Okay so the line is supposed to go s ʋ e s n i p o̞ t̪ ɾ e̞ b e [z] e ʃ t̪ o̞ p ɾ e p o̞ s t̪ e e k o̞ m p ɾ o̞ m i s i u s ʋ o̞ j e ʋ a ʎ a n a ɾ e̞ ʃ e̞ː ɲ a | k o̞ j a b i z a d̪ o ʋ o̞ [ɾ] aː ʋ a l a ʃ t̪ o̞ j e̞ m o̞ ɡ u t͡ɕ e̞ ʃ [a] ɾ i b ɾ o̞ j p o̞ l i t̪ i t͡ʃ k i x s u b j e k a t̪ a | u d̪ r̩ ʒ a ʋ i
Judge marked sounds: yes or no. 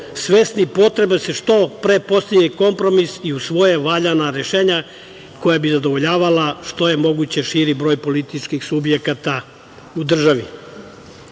no, no, no

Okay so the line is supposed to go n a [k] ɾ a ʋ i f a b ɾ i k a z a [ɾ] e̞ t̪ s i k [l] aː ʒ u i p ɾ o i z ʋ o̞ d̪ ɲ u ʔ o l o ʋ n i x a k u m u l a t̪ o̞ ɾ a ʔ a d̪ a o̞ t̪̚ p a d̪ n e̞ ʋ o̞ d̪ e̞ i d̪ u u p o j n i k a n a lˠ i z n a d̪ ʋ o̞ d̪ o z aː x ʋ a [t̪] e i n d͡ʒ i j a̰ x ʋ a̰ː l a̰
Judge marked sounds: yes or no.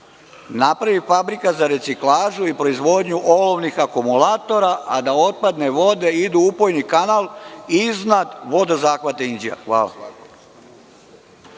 no, yes, yes, yes

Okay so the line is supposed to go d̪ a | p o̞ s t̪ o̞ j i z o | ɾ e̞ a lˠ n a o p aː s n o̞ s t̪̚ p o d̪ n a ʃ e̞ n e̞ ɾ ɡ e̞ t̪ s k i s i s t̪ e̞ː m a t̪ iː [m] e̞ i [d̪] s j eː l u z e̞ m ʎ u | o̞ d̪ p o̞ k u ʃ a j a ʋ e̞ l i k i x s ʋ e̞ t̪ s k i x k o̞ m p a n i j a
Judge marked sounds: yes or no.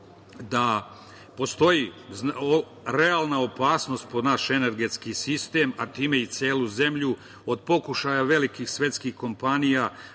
yes, no

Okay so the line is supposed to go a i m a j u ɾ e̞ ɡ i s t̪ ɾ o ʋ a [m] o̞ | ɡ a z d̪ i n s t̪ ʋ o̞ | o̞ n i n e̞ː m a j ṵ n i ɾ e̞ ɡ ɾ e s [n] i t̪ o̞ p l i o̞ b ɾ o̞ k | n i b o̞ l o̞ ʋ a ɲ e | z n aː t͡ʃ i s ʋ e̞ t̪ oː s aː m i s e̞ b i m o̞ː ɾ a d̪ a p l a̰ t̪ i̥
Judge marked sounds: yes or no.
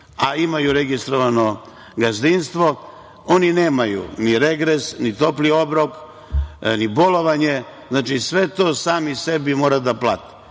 no, yes

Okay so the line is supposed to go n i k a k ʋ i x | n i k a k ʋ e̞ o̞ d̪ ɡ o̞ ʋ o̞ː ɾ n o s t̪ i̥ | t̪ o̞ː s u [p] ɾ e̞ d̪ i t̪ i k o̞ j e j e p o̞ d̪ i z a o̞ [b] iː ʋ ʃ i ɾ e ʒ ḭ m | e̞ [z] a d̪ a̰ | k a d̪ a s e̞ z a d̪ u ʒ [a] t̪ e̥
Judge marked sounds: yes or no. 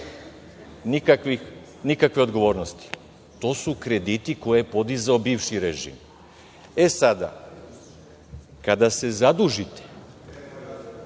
no, yes, no, no

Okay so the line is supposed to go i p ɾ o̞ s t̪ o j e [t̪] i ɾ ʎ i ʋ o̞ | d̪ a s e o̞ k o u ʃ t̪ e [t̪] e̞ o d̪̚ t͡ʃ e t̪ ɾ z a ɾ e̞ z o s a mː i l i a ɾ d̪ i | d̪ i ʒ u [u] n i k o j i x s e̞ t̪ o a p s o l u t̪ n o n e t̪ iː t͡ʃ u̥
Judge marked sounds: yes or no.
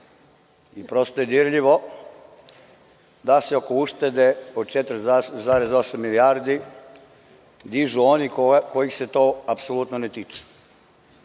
no, no, no

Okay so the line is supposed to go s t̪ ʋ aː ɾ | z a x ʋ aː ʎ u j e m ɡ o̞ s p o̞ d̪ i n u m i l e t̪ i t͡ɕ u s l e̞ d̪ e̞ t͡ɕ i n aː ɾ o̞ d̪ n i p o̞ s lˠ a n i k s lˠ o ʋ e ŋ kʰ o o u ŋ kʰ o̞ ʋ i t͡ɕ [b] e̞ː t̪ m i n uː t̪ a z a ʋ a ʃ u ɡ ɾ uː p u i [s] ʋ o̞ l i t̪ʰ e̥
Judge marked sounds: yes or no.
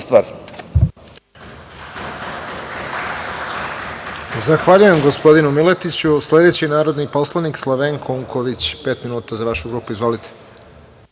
no, no

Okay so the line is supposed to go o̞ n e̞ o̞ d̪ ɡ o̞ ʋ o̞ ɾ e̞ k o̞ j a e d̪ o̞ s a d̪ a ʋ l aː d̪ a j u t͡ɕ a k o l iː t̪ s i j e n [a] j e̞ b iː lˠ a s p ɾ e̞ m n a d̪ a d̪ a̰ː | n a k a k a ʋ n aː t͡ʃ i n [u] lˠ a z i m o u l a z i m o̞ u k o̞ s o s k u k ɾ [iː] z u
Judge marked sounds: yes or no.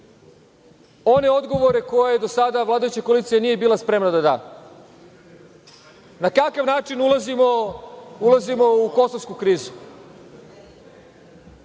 no, yes, yes

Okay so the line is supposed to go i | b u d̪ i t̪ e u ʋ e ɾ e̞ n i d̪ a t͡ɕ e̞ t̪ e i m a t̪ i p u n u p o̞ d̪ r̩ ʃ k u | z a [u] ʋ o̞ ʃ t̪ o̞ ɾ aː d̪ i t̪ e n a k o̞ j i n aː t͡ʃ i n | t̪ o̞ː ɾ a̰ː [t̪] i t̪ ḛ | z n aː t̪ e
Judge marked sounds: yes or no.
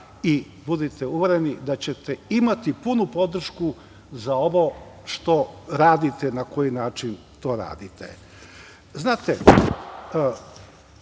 no, no

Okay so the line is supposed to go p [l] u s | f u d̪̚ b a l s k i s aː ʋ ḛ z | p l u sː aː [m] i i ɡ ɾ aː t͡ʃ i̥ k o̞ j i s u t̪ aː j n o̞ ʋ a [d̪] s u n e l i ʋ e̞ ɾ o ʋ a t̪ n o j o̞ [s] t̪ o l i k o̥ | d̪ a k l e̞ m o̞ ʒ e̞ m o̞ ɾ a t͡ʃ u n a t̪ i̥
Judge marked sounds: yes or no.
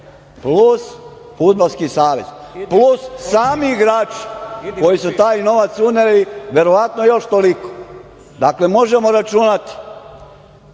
yes, yes, no, no

